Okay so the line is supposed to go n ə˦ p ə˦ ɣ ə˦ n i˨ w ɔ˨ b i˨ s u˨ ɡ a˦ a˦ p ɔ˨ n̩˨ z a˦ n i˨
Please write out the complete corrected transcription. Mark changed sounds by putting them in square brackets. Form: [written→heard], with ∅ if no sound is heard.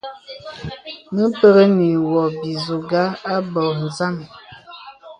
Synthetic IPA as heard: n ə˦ p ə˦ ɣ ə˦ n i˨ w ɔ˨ b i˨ [s→z] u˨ ɡ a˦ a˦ [p→b] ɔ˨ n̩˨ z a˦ [n→m] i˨